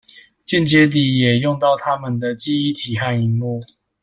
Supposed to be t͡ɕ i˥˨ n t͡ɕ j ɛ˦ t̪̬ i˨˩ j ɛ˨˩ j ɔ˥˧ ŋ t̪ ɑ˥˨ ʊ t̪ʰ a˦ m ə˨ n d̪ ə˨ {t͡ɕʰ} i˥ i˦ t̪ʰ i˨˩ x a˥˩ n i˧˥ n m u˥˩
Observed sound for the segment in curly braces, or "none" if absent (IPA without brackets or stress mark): t͡ɕ